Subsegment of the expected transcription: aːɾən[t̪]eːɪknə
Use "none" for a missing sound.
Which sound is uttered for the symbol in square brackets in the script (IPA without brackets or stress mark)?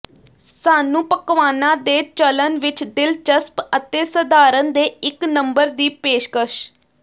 d̪